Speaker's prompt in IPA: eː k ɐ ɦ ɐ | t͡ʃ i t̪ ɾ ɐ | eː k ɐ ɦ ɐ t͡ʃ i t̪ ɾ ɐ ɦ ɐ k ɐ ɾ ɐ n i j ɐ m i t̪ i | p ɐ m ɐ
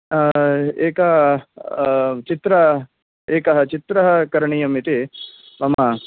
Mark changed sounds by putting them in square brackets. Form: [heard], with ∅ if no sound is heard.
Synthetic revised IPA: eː k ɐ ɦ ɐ | t͡ʃ i t̪ ɾ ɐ | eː k ɐ ɦ ɐ t͡ʃ i t̪ ɾ ɐ ɦ ɐ k ɐ ɾ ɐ [ɳ] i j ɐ m i t̪ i | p ɐ m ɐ